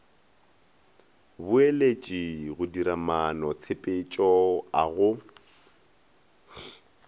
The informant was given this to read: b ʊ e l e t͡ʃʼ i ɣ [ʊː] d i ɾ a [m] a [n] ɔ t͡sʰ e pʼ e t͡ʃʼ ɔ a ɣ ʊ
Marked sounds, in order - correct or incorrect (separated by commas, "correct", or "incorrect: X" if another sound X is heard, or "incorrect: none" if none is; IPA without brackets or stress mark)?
incorrect: ʊ, correct, correct